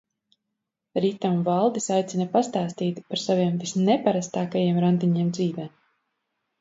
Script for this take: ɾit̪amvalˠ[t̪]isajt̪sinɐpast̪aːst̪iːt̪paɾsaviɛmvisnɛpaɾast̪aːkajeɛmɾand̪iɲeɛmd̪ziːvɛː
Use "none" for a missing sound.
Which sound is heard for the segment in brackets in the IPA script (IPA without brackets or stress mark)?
d̪